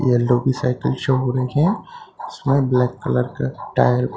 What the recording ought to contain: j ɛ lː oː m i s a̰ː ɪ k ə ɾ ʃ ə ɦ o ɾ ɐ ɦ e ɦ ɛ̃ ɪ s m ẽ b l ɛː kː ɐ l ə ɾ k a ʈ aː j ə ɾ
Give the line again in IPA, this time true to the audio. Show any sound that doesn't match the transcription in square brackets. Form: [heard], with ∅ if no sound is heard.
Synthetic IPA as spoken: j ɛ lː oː [b] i s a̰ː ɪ k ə [l] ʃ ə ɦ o ɾ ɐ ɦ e ɦ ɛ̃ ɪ s m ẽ b l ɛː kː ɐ l ə ɾ k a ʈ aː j ə ɾ

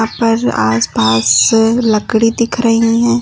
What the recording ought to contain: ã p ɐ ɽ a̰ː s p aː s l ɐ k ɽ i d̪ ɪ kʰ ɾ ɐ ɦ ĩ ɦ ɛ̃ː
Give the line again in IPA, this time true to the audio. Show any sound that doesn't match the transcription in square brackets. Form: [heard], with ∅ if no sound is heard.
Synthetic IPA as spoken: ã p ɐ [ɾ] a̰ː s p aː s l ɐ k ɽ i d̪ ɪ kʰ ɾ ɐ ɦ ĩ ɦ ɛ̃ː

